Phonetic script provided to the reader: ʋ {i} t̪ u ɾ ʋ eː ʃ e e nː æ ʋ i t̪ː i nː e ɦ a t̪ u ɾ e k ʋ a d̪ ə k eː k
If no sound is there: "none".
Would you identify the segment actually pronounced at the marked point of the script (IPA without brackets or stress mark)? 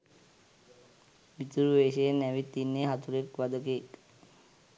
i